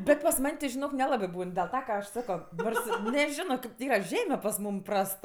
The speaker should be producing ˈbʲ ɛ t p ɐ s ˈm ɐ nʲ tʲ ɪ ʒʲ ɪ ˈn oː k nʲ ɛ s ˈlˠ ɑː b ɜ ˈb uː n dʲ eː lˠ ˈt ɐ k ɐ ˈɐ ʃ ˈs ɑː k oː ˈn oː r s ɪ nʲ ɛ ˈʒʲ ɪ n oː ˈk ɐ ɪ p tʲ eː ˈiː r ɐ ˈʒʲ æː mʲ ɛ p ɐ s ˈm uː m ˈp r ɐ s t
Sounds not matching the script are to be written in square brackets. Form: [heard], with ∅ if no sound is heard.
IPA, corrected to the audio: ˈbʲ ɛ t p ɐ s ˈm ɐ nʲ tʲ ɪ ʒʲ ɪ ˈn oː k nʲ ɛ [∅] ˈlˠ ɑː b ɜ ˈb uː n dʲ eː lˠ ˈt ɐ k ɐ ˈɐ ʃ ˈs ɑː k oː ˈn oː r s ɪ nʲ ɛ ˈʒʲ ɪ n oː ˈk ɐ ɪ p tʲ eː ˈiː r ɐ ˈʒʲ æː mʲ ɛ p ɐ s ˈm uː m ˈp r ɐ s t

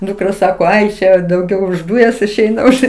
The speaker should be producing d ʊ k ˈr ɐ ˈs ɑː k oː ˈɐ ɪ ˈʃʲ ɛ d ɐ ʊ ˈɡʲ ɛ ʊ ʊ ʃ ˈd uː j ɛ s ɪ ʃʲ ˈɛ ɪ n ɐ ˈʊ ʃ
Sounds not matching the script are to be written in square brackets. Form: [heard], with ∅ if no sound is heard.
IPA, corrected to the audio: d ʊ k ˈr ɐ ˈs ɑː k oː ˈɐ ɪ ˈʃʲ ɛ d ɐ ʊ ˈɡʲ ɛ ʊ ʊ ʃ ˈd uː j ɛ s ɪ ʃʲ ˈɛ ɪ n ɐ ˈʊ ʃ

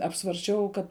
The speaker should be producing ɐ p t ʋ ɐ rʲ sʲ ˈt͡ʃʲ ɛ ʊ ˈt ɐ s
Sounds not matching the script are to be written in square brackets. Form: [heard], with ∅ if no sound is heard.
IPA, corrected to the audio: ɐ p [s] ʋ ɐ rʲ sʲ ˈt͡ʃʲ ɛ ʊ [ˈk] ɐ [t]

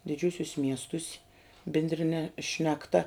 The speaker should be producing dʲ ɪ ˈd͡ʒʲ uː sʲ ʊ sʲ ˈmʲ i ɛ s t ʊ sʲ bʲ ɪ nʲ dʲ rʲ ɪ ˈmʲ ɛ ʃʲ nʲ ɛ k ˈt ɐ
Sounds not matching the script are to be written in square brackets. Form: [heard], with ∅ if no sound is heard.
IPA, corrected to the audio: dʲ ɪ ˈd͡ʒʲ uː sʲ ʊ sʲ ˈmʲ i ɛ s t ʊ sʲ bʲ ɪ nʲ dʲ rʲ ɪ [ˈnʲ] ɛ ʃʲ nʲ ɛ k ˈt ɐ

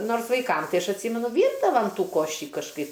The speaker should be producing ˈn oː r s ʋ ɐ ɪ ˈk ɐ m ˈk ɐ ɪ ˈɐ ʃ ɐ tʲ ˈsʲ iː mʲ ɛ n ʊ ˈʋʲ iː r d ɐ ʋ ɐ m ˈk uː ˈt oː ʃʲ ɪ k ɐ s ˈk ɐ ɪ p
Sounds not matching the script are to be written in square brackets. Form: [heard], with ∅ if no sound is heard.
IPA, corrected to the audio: ˈn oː r s ʋ ɐ ɪ ˈk ɐ m [ˈt] ɐ ɪ ˈɐ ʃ ɐ tʲ ˈsʲ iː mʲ ɛ n ʊ ˈʋʲ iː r d ɐ ʋ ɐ m [ˈt] uː [ˈk] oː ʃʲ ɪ k ɐ [ʃ] ˈk ɐ ɪ p

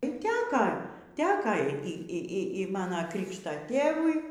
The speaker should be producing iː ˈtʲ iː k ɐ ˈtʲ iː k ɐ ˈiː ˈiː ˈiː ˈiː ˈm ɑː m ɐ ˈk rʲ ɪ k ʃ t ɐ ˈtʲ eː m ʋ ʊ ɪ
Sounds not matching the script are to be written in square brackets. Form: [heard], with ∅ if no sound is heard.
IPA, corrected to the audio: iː ˈtʲ [æː] k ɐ ˈtʲ [æː] k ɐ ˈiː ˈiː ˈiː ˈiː ˈm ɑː [n] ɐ ˈk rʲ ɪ k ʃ t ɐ ˈtʲ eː [∅] ʋ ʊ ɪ

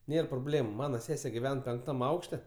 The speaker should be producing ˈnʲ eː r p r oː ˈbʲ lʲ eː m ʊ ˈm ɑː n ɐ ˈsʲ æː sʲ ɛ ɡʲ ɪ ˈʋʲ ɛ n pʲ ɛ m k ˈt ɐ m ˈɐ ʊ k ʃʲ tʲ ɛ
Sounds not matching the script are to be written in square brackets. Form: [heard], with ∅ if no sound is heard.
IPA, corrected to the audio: ˈnʲ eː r p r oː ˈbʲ lʲ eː m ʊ ˈm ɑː n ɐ ˈsʲ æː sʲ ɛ ɡʲ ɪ ˈʋʲ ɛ n pʲ ɛ [ŋ] k ˈt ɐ m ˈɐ ʊ k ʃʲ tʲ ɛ

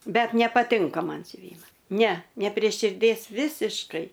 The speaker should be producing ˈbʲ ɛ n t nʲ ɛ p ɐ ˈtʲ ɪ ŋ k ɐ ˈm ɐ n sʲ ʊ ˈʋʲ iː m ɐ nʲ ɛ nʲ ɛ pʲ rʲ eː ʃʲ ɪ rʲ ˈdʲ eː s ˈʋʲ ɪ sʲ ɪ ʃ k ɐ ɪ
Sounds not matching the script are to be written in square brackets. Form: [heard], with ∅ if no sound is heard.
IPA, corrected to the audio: ˈbʲ ɛ [∅] t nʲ ɛ p ɐ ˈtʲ ɪ ŋ k ɐ ˈm ɐ n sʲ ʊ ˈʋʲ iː m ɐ nʲ ɛ nʲ ɛ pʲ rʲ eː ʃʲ ɪ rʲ ˈdʲ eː s ˈʋʲ ɪ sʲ ɪ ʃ k ɐ ɪ

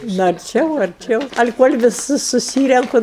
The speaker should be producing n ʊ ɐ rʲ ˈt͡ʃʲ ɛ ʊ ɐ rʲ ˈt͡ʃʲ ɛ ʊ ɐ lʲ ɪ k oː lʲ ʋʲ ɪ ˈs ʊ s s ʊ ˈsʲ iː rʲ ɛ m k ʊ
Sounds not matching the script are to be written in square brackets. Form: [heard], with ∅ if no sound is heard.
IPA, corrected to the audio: n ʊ ɐ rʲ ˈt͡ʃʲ ɛ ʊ ɐ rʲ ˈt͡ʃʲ ɛ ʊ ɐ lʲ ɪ k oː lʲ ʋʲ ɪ ˈs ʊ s s ʊ ˈsʲ iː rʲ ɛ [ŋ] k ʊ

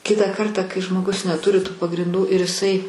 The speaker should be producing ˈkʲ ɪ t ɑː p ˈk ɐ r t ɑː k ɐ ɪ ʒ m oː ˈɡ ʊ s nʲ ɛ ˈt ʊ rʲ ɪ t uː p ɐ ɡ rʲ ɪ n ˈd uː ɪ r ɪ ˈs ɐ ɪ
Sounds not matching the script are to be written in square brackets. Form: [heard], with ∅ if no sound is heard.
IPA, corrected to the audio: ˈkʲ ɪ t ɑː [∅] ˈk ɐ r t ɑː k ɐ ɪ ʒ m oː ˈɡ ʊ s nʲ ɛ ˈt ʊ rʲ ɪ t uː p ɐ ɡ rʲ ɪ n ˈd uː ɪ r ɪ ˈs ɐ ɪ

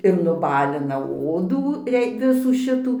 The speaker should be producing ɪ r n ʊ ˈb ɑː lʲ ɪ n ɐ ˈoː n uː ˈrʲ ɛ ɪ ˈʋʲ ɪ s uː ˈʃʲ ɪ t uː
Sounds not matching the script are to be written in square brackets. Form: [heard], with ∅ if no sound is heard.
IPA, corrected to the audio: ɪ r n ʊ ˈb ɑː lʲ ɪ n ɐ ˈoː [d] uː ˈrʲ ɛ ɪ ˈʋʲ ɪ s uː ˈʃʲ ɪ t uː

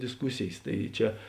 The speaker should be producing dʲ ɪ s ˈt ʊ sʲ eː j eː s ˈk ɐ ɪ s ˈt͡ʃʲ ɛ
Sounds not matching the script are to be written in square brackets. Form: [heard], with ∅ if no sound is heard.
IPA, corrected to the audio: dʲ ɪ s [ˈk] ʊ sʲ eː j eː s [ˈt] ɐ ɪ [∅] ˈt͡ʃʲ ɛ

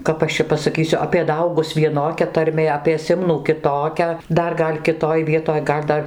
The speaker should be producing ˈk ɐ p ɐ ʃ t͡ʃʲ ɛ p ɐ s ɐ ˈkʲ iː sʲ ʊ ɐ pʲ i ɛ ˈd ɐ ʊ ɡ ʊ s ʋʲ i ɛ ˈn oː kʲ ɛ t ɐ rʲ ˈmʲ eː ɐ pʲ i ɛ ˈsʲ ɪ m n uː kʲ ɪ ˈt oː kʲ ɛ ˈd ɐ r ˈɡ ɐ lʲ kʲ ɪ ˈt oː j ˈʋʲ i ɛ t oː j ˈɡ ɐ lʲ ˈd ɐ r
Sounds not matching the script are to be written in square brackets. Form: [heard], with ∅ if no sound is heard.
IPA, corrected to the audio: ˈk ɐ p ɐ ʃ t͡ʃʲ ɛ p ɐ s ɐ ˈkʲ iː sʲ ʊ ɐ pʲ i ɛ ˈd ɐ ʊ ɡ ʊ s ʋʲ i ɛ ˈn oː kʲ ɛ t ɐ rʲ ˈmʲ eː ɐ pʲ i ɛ ˈsʲ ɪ m n uː kʲ ɪ ˈt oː kʲ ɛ ˈd ɐ r ˈɡ ɐ lʲ kʲ ɪ ˈt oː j ˈʋʲ i ɛ t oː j ˈɡ ɐ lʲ ˈd ɐ r

